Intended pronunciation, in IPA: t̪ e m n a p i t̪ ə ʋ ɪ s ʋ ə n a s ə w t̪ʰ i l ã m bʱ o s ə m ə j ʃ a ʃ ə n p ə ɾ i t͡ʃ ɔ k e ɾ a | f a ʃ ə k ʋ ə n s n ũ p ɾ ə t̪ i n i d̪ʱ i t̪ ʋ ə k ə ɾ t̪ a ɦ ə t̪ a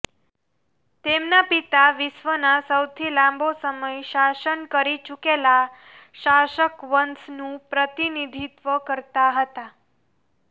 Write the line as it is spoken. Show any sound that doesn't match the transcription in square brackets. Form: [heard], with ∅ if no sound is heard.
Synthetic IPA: t̪ e m n a p i t̪ [a] ʋ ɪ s ʋ ə n a s ə w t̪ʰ i l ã m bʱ o s ə m ə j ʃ a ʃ ə n [k] ə ɾ i t͡ʃ [u] k e [l] a | [ʃ] a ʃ ə k ʋ ə n s n ũ p ɾ ə t̪ i n i d̪ʱ i t̪ ʋ ə k ə ɾ t̪ a ɦ ə t̪ a